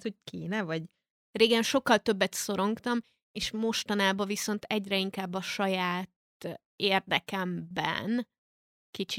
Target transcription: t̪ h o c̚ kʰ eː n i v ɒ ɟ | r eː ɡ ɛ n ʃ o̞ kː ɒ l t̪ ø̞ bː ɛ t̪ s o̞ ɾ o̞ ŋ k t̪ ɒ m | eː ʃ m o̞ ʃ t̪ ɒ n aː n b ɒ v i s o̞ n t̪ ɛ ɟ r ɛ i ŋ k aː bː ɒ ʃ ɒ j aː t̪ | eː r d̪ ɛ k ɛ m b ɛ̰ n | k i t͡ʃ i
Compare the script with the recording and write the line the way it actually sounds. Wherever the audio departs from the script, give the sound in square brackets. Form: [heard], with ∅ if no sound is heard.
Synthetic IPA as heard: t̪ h o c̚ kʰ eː n [ɛ] v ɒ ɟ | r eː ɡ ɛ n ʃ o̞ kː ɒ l t̪ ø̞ bː ɛ t̪ s o̞ ɾ o̞ ŋ k t̪ ɒ m | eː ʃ m o̞ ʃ t̪ ɒ n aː [∅] b ɒ v i s o̞ n t̪ ɛ ɟ r ɛ i ŋ k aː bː ɒ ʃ ɒ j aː t̪ | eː r d̪ ɛ k ɛ m b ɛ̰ n | k i t͡ʃ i